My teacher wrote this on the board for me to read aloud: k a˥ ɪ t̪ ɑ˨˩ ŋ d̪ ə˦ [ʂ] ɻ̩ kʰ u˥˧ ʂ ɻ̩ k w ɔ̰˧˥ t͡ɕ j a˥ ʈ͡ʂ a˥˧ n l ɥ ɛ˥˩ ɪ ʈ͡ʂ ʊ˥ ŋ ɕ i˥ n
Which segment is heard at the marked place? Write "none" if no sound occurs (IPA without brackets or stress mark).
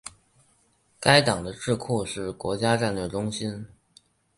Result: ʈ͡ʂ